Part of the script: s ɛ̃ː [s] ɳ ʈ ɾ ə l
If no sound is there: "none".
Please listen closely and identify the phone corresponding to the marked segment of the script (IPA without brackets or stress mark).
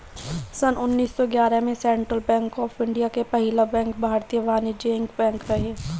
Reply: none